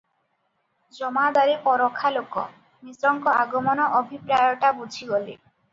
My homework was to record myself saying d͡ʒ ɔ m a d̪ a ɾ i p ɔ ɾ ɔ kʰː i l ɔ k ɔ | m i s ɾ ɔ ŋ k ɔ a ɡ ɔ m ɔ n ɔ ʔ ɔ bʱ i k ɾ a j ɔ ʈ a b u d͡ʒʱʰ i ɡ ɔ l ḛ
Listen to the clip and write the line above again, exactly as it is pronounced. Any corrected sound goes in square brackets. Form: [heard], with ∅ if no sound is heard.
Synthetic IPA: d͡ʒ ɔ m a d̪ a ɾ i p ɔ ɾ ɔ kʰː [a] l [o] k ɔ | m i s ɾ ɔ ŋ k ɔ a ɡ ɔ m ɔ n ɔ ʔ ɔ bʱ i [p] ɾ a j ɔ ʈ a b u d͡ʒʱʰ i ɡ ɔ l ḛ